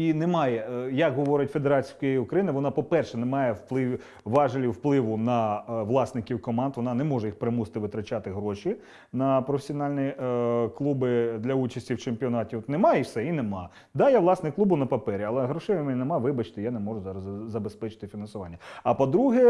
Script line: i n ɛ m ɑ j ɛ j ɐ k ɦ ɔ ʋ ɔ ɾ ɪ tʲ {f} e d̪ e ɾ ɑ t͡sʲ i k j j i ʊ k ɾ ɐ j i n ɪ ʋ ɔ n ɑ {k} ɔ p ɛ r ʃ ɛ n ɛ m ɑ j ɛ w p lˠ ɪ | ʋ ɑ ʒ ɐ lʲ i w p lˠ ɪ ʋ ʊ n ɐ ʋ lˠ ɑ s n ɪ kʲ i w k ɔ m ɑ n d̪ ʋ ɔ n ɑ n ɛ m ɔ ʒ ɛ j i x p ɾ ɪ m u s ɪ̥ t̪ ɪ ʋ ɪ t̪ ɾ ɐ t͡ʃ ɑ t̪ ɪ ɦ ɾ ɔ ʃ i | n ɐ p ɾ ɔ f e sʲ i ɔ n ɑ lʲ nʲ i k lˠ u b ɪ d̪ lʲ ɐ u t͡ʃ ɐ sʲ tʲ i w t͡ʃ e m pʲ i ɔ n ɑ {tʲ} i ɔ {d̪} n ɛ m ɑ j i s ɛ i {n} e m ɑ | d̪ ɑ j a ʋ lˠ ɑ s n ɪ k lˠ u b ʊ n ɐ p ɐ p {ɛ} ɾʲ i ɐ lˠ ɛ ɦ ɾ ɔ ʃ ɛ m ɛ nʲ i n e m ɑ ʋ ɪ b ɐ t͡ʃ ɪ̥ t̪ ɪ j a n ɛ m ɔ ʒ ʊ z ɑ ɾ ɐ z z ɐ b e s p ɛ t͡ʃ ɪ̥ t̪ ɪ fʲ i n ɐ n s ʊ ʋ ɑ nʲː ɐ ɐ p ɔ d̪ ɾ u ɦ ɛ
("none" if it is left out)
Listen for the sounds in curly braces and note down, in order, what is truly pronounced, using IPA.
f, p, tʲ, t̪, n, ɛ

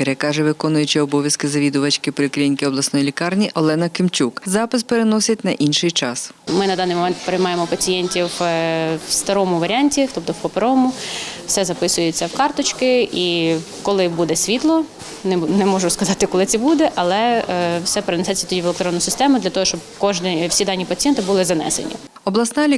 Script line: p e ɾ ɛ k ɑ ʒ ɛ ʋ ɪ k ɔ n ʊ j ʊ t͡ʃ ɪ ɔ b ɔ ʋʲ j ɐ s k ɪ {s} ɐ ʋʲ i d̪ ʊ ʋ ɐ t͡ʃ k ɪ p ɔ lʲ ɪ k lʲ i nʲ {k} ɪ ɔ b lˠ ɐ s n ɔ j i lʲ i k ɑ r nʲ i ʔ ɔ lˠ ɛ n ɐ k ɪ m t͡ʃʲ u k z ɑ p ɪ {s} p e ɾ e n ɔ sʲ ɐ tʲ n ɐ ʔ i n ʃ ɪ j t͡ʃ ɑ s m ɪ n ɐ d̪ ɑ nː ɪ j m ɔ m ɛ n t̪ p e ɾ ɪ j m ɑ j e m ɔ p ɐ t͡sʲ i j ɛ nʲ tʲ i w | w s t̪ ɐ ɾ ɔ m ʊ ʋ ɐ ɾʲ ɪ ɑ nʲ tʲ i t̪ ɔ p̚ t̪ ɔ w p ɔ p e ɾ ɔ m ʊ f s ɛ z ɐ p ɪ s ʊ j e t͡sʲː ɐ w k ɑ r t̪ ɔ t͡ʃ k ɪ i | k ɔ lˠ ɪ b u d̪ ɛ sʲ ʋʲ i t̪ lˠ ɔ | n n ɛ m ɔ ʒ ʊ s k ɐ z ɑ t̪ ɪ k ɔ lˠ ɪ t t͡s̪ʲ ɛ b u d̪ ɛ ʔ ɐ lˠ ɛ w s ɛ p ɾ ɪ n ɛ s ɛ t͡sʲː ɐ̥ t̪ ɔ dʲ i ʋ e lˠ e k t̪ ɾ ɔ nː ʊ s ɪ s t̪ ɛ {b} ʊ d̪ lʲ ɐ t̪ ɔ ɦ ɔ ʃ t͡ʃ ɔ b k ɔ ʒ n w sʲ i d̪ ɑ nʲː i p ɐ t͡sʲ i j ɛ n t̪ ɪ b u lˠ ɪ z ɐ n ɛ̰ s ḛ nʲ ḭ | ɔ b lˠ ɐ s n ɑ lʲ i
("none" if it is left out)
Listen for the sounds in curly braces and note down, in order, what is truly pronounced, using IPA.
z, k, s, m

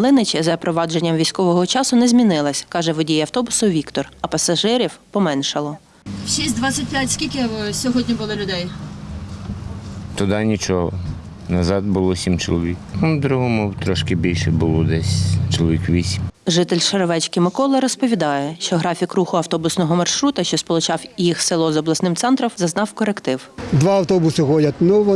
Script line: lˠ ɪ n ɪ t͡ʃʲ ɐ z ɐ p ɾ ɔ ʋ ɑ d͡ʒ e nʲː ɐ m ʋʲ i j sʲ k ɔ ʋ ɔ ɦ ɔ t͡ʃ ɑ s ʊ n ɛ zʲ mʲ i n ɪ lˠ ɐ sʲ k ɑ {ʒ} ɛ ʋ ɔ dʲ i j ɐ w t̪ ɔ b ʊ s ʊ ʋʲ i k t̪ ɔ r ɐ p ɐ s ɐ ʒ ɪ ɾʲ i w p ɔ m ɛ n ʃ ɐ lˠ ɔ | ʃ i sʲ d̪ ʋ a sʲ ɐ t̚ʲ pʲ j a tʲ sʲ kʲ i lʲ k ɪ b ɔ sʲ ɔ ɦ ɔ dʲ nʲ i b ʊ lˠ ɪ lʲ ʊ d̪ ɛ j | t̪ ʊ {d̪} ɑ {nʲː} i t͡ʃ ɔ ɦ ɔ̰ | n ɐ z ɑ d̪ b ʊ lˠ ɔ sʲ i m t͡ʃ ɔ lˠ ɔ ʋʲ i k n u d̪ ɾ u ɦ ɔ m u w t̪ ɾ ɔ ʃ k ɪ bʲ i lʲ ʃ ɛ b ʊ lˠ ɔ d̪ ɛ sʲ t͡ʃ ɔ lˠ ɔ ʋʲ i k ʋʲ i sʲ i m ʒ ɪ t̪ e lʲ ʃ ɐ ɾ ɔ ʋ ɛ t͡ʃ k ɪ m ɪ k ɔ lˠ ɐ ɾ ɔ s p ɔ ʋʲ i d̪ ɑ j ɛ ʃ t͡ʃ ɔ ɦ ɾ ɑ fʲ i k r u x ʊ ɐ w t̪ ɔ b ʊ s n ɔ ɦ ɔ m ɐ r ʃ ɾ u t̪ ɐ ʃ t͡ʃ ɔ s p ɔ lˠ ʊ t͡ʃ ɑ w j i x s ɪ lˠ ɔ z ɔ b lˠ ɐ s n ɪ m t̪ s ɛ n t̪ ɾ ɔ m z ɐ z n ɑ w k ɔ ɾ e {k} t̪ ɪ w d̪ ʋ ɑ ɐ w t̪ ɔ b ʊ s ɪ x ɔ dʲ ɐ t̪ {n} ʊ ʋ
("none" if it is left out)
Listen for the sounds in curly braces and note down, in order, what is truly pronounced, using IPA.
ʒ, d̪, nʲ, k, n

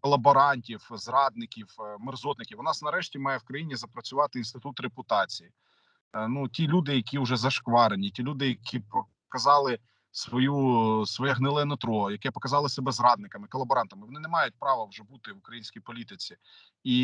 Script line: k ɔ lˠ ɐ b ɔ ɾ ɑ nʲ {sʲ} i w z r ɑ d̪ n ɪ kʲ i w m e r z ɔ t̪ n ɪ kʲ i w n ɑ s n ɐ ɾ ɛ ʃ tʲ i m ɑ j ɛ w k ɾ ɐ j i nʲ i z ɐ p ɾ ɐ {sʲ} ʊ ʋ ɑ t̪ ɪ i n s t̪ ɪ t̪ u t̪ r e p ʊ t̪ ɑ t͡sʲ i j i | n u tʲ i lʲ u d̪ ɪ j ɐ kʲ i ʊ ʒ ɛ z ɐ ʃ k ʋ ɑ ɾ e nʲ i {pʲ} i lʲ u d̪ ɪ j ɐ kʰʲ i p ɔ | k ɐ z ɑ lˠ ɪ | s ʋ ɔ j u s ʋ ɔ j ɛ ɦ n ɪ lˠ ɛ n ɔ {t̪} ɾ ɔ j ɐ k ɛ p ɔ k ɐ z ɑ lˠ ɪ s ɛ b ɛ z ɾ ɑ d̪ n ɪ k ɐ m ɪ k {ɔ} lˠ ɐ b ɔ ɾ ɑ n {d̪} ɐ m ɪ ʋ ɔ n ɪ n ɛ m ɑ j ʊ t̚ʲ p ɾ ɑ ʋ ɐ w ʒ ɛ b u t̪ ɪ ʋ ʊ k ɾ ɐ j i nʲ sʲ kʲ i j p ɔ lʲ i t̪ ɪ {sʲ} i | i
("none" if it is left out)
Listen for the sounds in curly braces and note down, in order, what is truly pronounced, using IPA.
tʲ, t͡sʲ, tʲ, t̪, ɔ, t̪, t͡sʲ

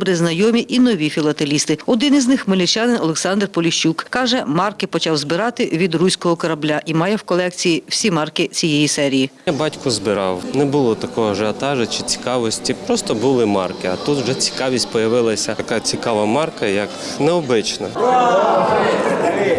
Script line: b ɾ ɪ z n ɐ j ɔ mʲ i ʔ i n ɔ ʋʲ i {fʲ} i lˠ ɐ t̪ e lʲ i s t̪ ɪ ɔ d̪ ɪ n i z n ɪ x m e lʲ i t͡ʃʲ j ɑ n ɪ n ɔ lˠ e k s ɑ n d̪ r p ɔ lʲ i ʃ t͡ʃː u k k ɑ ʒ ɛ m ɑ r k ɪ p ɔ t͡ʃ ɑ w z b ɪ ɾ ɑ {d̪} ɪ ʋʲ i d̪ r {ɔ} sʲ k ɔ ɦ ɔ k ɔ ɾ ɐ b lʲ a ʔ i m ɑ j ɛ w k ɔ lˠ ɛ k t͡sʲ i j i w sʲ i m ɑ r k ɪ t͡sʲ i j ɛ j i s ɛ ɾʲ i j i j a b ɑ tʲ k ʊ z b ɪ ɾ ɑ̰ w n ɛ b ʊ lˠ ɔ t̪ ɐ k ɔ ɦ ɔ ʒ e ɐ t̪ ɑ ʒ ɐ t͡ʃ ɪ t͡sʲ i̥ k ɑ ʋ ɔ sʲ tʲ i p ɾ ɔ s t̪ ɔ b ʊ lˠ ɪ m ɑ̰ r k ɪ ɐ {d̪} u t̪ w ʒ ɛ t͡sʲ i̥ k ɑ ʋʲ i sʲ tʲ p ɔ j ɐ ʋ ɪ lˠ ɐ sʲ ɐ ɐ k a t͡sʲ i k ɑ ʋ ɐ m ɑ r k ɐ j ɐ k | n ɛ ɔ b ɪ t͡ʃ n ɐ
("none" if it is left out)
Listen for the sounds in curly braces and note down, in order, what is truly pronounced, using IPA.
fʲ, t̪, u, t̪

